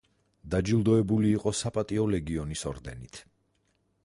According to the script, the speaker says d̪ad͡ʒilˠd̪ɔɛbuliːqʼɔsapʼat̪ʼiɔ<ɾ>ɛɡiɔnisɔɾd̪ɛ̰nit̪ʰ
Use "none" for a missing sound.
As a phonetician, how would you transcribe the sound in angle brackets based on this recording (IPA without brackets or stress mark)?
l